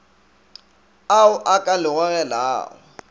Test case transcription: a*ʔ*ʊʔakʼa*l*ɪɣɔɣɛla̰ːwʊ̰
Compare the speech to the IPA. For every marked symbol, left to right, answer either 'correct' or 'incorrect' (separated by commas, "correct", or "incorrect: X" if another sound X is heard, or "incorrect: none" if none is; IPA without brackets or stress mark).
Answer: incorrect: none, correct